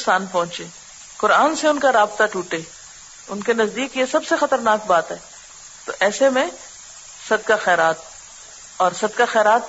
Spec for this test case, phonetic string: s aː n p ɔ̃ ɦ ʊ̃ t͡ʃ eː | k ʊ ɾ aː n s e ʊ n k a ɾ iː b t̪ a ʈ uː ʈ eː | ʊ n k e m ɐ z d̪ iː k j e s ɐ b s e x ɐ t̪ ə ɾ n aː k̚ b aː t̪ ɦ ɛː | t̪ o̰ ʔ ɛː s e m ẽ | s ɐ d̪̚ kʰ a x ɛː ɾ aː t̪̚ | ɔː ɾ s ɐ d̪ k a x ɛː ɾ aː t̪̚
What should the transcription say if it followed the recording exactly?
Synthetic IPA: s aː n p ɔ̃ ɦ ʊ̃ t͡ʃ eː | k ʊ ɾ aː n s e ʊ n k a ɾ aː b t̪ a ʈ uː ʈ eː | ʊ n k e n ɐ z d̪ iː k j e s ɐ b s e x ɐ t̪ ə ɾ n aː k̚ b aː t̪ ɦ ɛː | t̪ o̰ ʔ ɛː s e m ẽ | s ɐ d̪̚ k a x ɛː ɾ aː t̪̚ | ɔː ɾ s ɐ d̪ k a x ɛː ɾ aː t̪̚